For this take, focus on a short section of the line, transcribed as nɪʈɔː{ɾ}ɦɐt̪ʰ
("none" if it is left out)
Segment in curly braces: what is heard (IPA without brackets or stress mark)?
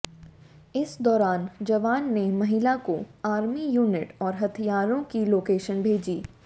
ɾ